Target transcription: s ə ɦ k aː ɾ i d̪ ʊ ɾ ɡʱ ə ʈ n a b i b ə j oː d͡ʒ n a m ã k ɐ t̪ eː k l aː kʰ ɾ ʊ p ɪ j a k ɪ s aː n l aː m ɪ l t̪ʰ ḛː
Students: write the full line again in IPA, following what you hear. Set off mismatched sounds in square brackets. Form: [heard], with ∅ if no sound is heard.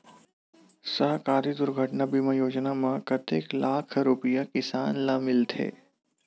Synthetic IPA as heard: s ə ɦ k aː ɾ i d̪ ʊ ɾ ɡʱ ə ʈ n a b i [m] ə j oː d͡ʒ n a m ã k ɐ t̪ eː k l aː kʰ ɾ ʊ p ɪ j a k ɪ s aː n l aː m ɪ l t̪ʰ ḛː